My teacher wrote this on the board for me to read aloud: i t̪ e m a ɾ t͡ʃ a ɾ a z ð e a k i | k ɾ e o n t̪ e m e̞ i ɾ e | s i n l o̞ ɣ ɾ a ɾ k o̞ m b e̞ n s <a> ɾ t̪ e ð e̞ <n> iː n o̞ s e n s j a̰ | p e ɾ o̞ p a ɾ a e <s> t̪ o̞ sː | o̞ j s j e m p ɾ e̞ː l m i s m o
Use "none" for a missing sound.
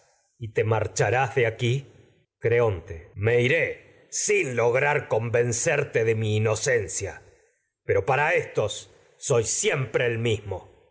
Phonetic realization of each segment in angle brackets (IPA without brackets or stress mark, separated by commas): e, m, s